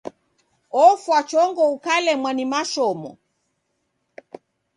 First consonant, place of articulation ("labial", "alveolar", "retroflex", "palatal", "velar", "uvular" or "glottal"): labial